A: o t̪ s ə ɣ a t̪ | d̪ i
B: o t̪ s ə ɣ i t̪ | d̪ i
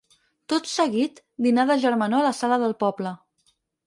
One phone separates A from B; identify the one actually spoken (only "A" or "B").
B